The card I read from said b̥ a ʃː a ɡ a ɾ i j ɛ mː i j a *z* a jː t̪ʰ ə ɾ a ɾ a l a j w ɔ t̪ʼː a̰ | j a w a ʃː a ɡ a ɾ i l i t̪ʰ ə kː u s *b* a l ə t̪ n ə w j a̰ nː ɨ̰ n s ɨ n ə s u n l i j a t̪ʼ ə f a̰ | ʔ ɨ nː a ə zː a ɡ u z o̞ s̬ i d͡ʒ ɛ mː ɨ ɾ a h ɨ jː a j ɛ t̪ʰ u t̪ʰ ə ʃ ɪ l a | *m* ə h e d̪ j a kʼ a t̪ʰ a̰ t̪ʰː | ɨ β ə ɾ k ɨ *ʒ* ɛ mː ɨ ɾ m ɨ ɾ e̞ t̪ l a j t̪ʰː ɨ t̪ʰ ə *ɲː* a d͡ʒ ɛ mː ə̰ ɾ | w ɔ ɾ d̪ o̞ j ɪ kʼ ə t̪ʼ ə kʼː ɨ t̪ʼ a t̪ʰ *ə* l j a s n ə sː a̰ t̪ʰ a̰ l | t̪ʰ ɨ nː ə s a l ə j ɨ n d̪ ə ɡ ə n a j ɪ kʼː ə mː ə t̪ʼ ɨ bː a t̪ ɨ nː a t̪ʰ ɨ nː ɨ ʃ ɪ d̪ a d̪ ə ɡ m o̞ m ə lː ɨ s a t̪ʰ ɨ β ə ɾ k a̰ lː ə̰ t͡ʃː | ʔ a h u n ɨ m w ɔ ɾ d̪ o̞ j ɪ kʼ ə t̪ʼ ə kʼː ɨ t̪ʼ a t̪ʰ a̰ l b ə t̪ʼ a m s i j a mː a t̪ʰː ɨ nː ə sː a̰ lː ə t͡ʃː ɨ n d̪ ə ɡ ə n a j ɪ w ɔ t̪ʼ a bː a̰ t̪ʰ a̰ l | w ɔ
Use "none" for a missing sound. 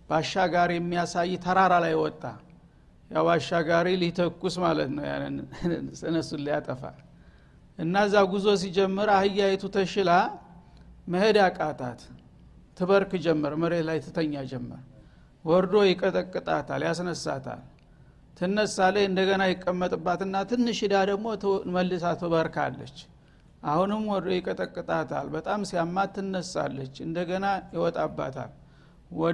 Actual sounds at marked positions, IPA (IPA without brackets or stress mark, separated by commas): s, m, m, d͡ʒ, ɲː, a